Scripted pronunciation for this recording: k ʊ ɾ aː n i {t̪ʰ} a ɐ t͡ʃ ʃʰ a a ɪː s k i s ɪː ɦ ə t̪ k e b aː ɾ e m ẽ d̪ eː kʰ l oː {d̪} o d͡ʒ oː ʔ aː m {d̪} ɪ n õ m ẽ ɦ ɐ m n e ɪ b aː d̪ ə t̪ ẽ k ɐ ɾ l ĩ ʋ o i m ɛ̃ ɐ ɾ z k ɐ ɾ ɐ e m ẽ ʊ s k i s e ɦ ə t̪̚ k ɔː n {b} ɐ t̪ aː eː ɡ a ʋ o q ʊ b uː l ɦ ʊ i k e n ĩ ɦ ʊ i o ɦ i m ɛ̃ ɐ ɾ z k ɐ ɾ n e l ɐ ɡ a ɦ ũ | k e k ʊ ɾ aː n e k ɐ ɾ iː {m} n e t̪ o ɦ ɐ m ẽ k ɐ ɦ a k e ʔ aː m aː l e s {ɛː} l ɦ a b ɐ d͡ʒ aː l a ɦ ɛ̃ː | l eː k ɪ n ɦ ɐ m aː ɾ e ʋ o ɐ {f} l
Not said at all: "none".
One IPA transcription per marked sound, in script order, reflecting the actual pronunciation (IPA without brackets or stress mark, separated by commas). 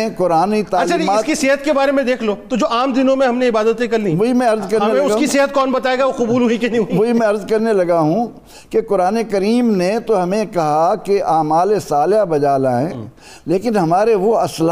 t̪, t̪, d̪, b, m, aː, s